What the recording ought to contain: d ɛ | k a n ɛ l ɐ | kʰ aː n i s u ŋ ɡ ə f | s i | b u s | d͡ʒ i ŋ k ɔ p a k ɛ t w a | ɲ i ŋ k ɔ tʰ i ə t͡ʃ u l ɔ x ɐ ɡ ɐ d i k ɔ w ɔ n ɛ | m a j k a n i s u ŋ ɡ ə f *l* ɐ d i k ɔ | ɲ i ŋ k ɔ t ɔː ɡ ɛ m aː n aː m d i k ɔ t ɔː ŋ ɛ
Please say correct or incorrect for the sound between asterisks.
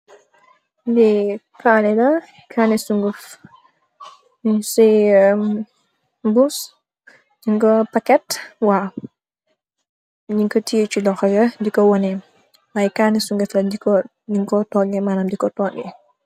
correct